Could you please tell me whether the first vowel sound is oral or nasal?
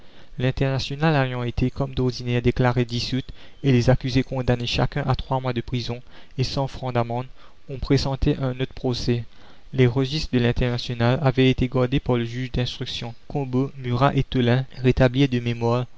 nasal